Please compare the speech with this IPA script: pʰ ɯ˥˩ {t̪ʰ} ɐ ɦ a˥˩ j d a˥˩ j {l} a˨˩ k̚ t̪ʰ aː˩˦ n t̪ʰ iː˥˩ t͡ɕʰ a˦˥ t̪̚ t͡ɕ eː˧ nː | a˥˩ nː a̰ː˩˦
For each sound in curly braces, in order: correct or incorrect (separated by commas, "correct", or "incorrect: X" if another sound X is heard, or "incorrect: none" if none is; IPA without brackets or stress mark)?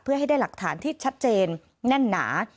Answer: incorrect: none, correct